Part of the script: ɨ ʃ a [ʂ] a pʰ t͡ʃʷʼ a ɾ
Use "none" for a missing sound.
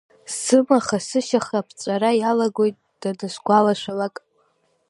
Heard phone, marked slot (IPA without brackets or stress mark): χ